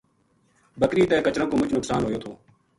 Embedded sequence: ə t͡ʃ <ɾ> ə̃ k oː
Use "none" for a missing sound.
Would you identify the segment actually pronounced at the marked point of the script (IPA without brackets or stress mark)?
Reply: ɾ